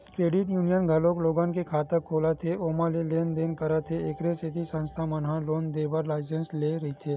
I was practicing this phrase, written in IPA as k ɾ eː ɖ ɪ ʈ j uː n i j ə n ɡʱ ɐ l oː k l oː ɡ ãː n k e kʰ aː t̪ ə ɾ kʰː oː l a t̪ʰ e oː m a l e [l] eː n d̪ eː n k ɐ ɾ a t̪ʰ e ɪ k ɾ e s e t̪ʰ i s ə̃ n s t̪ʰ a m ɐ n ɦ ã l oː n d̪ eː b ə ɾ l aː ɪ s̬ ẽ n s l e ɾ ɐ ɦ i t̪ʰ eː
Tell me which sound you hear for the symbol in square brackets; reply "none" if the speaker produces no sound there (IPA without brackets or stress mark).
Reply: l